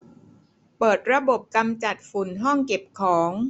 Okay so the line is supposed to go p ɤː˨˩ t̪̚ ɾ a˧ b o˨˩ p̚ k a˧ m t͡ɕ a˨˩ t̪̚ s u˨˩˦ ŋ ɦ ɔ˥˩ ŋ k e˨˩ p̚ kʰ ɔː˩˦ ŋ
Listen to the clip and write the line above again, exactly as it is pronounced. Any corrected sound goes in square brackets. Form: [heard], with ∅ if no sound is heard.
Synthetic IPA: p ɤː˨˩ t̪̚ ɾ a˧ b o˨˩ p̚ k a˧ m t͡ɕ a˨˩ t̪̚ [f] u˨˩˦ [n] ɦ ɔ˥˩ ŋ k e˨˩ p̚ kʰ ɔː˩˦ ŋ

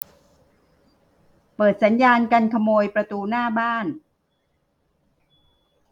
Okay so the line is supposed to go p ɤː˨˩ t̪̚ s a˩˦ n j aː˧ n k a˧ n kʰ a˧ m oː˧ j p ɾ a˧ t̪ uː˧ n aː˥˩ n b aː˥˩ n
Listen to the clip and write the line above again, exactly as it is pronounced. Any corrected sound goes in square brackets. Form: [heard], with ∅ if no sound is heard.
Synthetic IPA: p ɤː˨˩ t̪̚ s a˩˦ n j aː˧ n k a˧ n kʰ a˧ m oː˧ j p ɾ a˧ t̪ uː˧ n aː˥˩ [∅] b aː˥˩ n

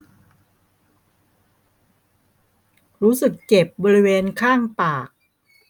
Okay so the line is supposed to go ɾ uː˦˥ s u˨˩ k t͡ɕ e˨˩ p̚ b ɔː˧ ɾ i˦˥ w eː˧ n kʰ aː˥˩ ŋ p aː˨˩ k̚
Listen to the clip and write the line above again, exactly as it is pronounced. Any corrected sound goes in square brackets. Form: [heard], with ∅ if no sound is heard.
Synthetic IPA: ɾ uː˦˥ s [ɯ˨˩] k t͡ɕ e˨˩ p̚ b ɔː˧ ɾ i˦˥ w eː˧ n kʰ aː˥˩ ŋ p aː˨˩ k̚

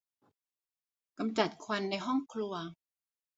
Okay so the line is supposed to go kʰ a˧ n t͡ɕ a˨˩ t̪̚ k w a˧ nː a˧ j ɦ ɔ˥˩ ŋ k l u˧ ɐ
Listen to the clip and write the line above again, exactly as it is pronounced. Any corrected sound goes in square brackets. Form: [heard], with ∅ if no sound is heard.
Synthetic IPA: [k] a˧ [m] t͡ɕ a˨˩ t̪̚ [kʰ] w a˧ nː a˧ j ɦ ɔ˥˩ ŋ [kʰ] l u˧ ɐ

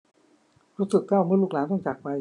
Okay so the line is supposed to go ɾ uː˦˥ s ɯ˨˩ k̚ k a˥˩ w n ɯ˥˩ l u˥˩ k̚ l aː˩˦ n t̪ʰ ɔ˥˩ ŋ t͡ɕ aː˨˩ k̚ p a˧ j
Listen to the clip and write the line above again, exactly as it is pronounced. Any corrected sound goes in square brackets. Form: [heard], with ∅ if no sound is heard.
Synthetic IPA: ɾ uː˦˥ s ɯ˨˩ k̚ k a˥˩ w [m] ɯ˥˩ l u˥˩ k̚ l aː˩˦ n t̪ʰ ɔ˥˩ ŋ t͡ɕ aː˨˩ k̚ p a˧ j

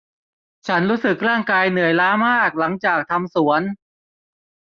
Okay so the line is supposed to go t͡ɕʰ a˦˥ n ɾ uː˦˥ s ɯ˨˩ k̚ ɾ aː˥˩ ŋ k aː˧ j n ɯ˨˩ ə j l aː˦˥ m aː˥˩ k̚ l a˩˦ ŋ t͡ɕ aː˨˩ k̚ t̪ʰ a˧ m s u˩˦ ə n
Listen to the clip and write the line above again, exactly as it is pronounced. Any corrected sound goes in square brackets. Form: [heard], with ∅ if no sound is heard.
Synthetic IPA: t͡ɕʰ a˦˥ n ɾ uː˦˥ s ɯ˨˩ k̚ ɾ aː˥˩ ŋ k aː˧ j n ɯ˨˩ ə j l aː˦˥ m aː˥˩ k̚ l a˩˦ ŋ t͡ɕ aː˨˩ k̚ t̪ʰ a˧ m s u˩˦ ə n

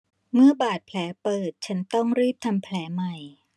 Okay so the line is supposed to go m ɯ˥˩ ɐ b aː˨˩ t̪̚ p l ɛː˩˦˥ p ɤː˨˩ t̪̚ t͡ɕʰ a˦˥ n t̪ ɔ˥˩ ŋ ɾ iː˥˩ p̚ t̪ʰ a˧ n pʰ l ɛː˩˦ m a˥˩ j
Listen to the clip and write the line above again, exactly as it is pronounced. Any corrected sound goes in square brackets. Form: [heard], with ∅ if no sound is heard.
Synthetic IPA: m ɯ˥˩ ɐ b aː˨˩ t̪̚ [pʰ] l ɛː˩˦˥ p ɤː˨˩ t̪̚ t͡ɕʰ a˦˥ n t̪ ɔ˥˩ ŋ ɾ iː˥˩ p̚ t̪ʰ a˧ [m] pʰ l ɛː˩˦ m [a˨˩] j

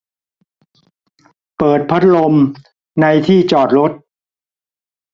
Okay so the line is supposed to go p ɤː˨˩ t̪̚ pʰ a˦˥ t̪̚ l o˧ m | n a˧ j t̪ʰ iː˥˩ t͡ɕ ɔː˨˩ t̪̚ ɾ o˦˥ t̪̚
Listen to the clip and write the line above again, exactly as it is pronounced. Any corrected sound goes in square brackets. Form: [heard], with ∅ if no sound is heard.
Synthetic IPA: p ɤː˨˩ t̪̚ pʰ a˦˥ t̪̚ l o˧ m | n a˧ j t̪ʰ iː˥˩ t͡ɕ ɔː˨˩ t̪̚ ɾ o˦˥ t̪̚

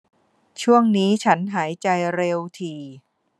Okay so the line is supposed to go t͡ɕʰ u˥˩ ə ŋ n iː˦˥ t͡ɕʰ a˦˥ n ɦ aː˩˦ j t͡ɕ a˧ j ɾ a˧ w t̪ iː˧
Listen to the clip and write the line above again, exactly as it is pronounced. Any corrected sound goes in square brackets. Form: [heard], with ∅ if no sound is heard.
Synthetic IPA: t͡ɕʰ u˥˩ ə ŋ n iː˦˥ t͡ɕʰ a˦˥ n ɦ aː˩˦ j t͡ɕ a˧ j ɾ [e˧] w [t̪ʰ] iː˧

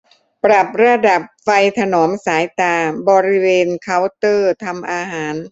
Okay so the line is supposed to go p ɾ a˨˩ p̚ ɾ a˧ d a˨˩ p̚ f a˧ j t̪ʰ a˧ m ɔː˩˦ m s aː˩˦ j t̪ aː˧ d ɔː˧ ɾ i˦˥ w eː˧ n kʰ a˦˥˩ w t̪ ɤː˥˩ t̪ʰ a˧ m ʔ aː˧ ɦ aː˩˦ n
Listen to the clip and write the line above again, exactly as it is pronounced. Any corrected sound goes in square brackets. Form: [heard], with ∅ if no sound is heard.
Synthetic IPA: p ɾ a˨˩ p̚ ɾ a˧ d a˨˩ p̚ f a˧ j t̪ʰ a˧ [n] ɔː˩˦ m s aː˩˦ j t̪ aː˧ [b] ɔː˧ ɾ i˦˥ w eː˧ n kʰ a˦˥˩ w t̪ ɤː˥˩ t̪ʰ a˧ m ʔ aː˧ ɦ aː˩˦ n

